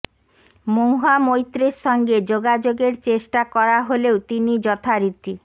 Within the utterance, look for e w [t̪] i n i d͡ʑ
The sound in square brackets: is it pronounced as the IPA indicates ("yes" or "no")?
yes